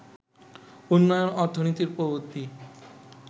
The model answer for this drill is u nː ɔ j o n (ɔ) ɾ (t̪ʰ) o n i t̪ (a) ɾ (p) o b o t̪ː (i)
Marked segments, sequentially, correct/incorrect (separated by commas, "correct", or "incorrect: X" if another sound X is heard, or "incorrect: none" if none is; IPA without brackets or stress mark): correct, correct, incorrect: i, correct, correct